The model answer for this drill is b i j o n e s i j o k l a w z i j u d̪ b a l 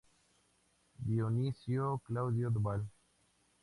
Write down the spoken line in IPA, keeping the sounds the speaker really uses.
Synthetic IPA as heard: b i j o n i s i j o k l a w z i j o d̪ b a l

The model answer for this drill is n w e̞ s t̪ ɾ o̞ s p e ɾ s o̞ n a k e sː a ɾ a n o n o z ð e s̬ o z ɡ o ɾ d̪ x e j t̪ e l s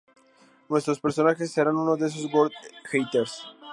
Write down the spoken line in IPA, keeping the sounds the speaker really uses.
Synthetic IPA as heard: n w e̞ s t̪ ɾ o̞ s p e ɾ s o̞ n a x e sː e ɾ a n u n o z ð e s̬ o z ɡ o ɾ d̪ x e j t̪ e ɾ s

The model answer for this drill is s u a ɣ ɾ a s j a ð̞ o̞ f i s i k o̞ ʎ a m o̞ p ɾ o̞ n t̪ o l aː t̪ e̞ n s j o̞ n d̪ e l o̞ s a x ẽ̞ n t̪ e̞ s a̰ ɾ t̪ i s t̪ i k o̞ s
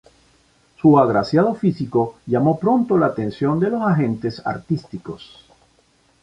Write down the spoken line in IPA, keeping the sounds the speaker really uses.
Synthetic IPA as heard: s u a ɣ ɾ a s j a ð̞ o̞ f i s i k o̞ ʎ a m o̞ p ɾ o̞ n t̪ o l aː t̪ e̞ n s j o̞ n d̪ e l o̞ s a x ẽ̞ n t̪ e̞ s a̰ ɾ t̪ i s t̪ i k o̞ s

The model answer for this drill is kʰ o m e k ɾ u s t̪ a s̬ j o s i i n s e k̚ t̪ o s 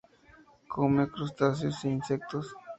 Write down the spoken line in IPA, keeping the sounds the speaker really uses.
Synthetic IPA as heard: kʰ o m e k ɾ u s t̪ a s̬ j o s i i n s e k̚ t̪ o s

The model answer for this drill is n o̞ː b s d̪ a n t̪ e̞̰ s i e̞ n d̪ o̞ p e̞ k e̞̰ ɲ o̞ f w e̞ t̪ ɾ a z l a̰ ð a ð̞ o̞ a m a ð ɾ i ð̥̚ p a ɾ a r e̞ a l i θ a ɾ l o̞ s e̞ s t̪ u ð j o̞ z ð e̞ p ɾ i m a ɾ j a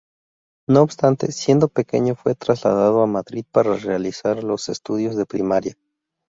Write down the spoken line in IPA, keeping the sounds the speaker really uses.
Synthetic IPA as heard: n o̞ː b s t̪ a n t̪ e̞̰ s j e̞ n d̪ o̞ p e̞ k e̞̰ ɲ o̞ f w e̞ t̪ ɾ a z l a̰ ð a ð̞ o̞ a m a ð ɾ i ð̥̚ p a ɾ a r e̞ a l i s a ɾ l o̞ s e̞ s t̪ u ð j o̞ z ð e̞ p ɾ i m a ɾ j a

